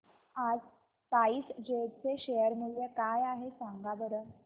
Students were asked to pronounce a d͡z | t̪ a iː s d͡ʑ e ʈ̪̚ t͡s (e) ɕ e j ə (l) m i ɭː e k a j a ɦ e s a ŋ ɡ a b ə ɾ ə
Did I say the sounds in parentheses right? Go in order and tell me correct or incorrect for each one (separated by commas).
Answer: correct, incorrect